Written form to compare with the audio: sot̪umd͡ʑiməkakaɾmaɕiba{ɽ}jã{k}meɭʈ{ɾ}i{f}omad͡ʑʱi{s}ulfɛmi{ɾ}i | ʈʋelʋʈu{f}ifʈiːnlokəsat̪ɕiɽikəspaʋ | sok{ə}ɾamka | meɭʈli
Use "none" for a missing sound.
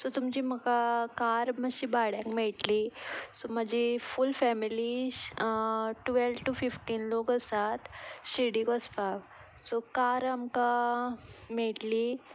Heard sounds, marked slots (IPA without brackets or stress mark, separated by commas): ɽ, k, l, s, f, l, f, a